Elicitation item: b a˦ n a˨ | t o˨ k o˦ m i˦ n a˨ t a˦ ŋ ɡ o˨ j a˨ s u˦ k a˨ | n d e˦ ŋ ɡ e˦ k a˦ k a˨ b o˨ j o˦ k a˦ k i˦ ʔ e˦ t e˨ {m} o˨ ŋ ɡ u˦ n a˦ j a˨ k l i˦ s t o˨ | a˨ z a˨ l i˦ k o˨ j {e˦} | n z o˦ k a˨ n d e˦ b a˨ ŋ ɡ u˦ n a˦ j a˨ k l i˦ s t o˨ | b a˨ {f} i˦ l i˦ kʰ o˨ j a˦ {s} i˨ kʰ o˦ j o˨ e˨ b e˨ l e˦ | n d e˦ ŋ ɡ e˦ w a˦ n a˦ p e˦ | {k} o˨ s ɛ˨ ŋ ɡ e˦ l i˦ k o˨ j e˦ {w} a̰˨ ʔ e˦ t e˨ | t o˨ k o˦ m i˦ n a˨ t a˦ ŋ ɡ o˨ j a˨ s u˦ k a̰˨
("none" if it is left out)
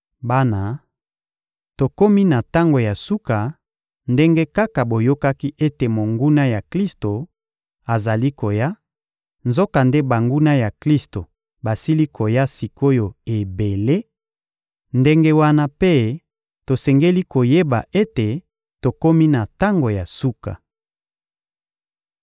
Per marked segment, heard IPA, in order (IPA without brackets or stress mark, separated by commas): m, a˦, s, s, t, b